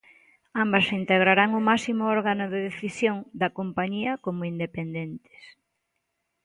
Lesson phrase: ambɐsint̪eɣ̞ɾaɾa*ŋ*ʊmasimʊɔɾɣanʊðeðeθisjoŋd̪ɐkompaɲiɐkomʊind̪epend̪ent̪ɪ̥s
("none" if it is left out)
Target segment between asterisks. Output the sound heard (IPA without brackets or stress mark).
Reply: ŋ